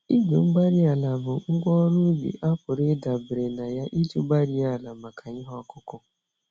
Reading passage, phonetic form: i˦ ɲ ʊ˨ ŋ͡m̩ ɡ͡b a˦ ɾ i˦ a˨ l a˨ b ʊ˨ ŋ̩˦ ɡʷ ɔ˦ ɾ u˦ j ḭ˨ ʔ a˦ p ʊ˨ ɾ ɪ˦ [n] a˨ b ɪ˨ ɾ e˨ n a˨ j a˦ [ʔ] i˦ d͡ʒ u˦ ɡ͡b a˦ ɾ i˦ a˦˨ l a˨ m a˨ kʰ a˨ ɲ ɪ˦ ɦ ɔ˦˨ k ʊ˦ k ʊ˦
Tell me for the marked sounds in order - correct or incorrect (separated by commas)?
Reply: incorrect, correct